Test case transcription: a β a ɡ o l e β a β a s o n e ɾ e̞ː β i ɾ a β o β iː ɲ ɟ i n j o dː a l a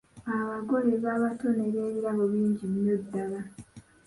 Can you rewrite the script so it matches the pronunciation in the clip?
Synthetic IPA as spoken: a β a ɡ o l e β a β a t o n e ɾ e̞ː β i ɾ a β o β iː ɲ ɟ i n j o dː a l a